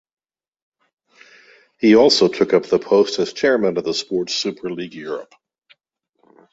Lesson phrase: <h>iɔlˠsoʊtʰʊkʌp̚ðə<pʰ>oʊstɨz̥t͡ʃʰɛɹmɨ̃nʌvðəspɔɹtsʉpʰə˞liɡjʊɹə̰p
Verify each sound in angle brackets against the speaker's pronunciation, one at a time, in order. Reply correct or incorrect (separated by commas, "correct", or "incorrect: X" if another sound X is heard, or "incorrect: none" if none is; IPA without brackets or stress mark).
correct, correct